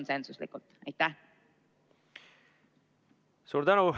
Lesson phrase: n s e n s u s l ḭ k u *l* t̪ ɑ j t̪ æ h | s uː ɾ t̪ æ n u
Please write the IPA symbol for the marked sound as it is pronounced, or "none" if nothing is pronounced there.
l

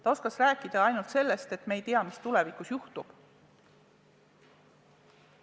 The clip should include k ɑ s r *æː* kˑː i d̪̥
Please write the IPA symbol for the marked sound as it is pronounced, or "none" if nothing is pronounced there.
æː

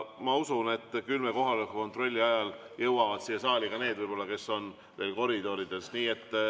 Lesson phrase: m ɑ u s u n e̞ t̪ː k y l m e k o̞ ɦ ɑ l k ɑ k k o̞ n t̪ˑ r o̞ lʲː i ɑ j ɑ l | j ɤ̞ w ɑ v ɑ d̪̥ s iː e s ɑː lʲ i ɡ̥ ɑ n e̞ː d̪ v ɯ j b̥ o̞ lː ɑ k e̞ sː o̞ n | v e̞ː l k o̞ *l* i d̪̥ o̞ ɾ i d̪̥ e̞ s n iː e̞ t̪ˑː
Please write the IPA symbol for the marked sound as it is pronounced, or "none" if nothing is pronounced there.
ɾ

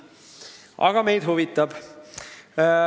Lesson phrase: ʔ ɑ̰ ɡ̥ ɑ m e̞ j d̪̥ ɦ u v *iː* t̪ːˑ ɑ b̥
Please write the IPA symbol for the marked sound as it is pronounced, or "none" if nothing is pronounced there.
i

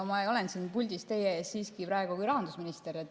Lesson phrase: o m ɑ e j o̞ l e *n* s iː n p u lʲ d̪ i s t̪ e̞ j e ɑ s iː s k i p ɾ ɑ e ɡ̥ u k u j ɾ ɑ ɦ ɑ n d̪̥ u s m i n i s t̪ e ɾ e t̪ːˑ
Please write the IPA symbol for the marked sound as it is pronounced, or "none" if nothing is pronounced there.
n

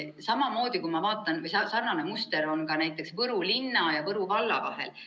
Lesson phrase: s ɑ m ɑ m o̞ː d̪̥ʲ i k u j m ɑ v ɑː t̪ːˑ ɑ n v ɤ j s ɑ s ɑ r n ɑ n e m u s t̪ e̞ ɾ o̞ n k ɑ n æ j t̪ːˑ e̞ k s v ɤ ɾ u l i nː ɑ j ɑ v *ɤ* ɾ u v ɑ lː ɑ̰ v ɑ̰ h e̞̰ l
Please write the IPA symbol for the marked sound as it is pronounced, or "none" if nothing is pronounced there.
ɤ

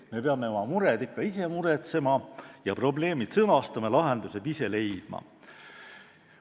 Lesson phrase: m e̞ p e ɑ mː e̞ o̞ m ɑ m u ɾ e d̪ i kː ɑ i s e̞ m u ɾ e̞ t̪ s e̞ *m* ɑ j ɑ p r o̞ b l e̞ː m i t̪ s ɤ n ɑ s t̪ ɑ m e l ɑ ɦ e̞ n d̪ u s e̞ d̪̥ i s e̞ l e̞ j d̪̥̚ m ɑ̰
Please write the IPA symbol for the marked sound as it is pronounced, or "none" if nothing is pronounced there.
m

